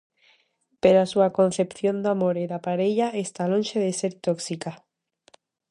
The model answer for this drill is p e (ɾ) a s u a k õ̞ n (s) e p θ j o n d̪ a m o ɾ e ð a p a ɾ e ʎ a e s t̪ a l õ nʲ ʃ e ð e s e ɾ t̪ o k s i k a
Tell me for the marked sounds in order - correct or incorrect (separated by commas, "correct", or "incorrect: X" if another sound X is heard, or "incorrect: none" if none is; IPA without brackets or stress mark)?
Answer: correct, incorrect: θ